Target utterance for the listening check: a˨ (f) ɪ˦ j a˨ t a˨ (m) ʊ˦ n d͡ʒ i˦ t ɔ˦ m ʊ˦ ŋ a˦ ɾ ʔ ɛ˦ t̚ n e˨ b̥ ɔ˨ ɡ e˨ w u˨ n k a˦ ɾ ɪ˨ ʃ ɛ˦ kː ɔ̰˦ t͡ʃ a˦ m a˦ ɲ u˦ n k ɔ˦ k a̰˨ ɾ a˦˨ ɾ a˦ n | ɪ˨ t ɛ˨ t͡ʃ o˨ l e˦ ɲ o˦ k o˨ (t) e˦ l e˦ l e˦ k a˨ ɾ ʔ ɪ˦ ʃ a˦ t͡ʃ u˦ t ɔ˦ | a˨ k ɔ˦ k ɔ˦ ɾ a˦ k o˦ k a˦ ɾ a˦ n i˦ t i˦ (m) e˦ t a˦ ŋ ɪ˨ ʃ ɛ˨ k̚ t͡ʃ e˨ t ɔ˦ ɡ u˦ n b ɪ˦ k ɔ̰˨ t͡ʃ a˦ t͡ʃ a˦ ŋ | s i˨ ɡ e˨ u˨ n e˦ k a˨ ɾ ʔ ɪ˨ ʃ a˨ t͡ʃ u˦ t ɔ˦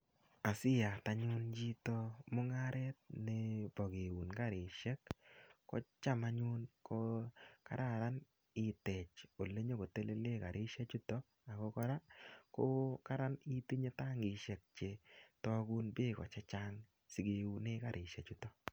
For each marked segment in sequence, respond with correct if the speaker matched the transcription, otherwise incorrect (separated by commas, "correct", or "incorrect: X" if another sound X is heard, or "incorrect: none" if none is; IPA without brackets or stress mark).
incorrect: s, incorrect: ɲ, correct, incorrect: ɲ